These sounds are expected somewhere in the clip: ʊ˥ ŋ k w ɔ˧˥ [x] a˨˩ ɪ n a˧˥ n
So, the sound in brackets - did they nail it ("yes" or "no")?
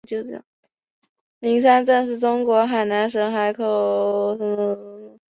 yes